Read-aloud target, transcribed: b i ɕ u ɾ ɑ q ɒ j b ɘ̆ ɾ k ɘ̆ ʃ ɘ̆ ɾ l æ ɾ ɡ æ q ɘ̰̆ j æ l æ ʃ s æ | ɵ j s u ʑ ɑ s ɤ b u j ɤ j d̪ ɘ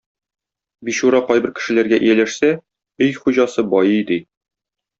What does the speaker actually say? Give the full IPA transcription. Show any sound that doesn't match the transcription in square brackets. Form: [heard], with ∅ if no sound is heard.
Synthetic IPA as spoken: b i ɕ u ɾ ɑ q ɒ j b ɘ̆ ɾ k ɘ̆ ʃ ɘ̆ [∅] l æ ɾ ɡ æ [ʔ] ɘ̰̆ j æ l æ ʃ s æ | ɵ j [χ] u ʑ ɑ s ɤ b [ɒ] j ɤ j d̪ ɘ